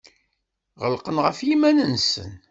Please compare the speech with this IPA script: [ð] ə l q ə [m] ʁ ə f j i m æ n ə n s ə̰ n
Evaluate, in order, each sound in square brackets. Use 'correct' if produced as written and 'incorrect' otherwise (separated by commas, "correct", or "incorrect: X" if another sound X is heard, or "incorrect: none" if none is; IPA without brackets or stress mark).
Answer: incorrect: ʁ, incorrect: n